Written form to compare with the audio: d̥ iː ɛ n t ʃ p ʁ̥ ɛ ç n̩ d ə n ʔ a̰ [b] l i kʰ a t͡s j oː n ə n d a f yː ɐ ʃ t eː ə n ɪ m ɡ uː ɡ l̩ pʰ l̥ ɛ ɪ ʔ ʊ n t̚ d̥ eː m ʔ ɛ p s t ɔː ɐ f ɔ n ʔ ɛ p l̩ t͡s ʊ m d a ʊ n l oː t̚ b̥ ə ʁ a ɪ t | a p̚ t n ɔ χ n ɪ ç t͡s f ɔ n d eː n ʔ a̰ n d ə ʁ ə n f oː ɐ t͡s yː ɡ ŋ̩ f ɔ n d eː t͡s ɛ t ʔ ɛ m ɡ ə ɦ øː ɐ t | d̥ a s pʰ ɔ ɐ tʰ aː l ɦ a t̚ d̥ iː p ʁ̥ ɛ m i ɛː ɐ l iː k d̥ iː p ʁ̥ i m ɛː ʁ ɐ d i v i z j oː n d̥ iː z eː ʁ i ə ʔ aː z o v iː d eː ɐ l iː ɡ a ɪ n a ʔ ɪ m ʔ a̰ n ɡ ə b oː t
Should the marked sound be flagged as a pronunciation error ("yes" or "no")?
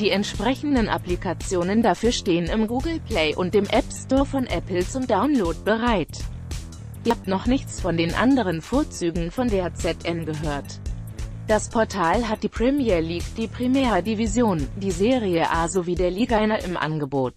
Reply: yes